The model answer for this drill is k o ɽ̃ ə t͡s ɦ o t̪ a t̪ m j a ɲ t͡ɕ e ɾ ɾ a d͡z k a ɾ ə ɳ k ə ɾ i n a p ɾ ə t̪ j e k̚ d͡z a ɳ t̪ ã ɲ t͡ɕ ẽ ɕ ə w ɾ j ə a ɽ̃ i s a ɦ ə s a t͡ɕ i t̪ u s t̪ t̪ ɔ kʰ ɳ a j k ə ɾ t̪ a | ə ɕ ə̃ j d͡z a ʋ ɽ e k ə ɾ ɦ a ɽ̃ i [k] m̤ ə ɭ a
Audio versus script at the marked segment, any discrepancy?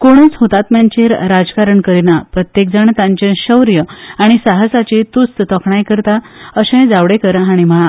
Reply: yes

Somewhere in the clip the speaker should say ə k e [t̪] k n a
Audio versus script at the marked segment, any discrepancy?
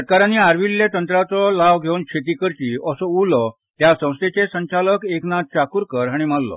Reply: yes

